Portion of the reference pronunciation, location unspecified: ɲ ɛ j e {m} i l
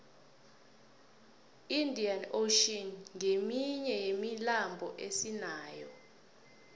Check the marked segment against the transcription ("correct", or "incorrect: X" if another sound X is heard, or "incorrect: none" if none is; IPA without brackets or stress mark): correct